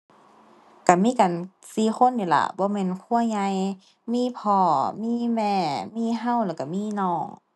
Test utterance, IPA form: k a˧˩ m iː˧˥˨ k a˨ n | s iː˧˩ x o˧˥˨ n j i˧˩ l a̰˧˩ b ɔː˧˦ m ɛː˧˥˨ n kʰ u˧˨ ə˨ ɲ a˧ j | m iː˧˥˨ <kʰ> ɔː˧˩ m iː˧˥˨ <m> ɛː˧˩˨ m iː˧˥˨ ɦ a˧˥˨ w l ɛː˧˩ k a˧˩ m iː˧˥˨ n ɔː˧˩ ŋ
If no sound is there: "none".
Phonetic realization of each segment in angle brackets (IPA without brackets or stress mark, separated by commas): pʰ, m